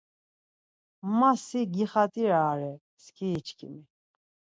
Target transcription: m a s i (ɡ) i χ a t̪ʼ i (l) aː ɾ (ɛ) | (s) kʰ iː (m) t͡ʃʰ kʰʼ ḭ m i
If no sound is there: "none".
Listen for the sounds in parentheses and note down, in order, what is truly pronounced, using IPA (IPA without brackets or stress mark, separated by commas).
ɡ, ɾ, ɛ, s, none